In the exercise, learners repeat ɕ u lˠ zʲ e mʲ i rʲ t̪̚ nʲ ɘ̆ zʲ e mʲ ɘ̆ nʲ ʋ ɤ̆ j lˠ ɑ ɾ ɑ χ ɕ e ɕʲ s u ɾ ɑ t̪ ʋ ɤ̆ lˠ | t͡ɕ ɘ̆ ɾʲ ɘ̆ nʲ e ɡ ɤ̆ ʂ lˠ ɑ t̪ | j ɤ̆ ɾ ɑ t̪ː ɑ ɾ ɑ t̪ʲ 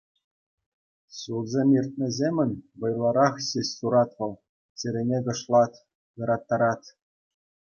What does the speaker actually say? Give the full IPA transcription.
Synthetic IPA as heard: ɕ u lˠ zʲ e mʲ i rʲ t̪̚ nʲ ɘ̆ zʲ e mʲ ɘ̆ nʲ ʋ ɤ̆ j lˠ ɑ ɾ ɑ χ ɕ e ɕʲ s u ɾ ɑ t̪ ʋ ɤ̆ lˠ | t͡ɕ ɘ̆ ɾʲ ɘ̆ nʲ e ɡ ɤ̆ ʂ lˠ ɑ t̪ | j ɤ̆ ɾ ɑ t̪ː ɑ ɾ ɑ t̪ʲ